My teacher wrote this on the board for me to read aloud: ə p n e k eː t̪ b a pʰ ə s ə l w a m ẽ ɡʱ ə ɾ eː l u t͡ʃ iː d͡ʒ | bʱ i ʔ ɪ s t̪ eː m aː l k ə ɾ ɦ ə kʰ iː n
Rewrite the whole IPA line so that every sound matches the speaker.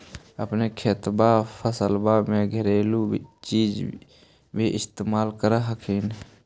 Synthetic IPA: ə p n e kʰ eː t̪ b a pʰ ə s ə l b a m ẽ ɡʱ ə ɾ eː l u t͡ʃ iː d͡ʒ | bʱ i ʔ ɪ s t̪ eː m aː l k ə ɾ ɦ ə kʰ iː n